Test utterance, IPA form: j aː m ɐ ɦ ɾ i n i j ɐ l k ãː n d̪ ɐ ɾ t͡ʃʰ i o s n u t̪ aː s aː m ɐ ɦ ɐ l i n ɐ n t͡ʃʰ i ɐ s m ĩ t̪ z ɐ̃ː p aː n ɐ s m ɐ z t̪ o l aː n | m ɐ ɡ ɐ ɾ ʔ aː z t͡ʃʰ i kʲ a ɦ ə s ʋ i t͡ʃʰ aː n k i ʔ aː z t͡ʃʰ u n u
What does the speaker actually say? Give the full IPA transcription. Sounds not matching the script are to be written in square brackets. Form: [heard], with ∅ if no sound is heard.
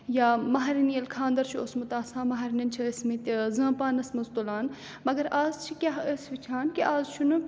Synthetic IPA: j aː m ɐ ɦ ɾ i n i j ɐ l [kʰ] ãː n d̪ ɐ ɾ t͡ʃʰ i o s [m] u t̪ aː s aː m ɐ ɦ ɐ [ɾ] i n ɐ n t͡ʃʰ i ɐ s m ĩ t̪ z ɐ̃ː p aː n ɐ s m ɐ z t̪ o l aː n | m ɐ ɡ ɐ ɾ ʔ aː z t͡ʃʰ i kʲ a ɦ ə s ʋ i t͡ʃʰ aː n k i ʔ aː z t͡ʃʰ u n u